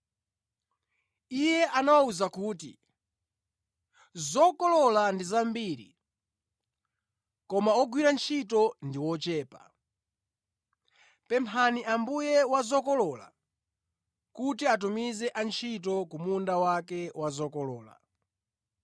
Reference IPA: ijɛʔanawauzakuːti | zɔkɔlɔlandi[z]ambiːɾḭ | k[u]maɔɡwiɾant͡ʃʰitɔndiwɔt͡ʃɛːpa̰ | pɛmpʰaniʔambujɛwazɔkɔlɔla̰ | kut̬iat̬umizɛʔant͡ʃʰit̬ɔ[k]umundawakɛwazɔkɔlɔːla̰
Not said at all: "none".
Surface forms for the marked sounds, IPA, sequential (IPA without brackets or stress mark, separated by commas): z, ɔ, k